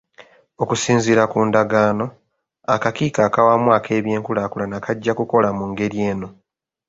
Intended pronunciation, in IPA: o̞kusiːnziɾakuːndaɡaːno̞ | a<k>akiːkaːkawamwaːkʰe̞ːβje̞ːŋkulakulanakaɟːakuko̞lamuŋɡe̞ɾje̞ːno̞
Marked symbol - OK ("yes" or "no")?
yes